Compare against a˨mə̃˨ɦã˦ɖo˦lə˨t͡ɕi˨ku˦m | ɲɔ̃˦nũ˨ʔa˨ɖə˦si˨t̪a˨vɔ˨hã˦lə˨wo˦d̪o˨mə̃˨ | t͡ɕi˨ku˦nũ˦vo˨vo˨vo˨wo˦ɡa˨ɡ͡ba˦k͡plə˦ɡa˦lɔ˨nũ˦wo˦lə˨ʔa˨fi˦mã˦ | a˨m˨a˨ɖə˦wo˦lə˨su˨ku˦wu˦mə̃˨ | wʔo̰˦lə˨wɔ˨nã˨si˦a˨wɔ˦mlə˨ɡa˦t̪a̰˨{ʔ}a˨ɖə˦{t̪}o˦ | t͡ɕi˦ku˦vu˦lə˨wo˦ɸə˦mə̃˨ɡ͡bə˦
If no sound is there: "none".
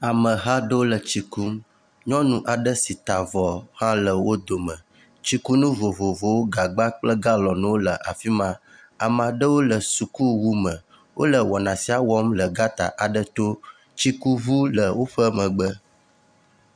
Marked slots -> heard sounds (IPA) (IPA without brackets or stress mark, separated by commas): ʔ, t̪